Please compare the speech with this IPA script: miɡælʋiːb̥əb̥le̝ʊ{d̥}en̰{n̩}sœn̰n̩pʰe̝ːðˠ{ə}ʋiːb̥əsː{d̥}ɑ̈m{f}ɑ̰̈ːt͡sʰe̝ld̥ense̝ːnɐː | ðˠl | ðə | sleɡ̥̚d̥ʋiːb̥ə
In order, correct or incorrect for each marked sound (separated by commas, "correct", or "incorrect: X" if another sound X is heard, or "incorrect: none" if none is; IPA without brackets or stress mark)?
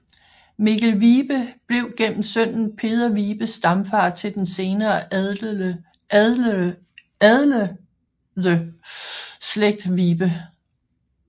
incorrect: ɡ̥, incorrect: m̩, incorrect: ɐ, correct, correct